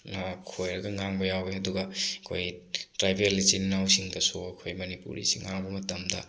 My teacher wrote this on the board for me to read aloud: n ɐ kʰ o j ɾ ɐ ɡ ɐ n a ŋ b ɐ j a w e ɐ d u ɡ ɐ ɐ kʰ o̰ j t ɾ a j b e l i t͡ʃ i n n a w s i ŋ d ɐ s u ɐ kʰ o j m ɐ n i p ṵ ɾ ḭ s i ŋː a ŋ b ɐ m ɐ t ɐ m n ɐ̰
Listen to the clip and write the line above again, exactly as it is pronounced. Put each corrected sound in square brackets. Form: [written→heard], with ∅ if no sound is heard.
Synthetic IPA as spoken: n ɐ kʰ o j ɾ ɐ ɡ ɐ [n→ŋ] a ŋ b ɐ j a w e ɐ d u ɡ ɐ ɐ kʰ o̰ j t ɾ a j b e l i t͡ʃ i n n a w s i ŋ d ɐ s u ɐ kʰ o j m ɐ n i p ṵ ɾ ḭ s i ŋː a ŋ b ɐ m ɐ t ɐ m [n→d] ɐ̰